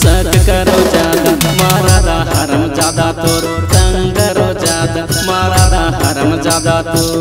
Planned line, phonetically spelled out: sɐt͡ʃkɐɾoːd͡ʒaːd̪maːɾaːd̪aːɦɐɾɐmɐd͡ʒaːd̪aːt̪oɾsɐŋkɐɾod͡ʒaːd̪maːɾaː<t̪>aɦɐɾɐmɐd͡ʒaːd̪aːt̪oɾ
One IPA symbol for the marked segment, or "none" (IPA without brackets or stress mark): d̪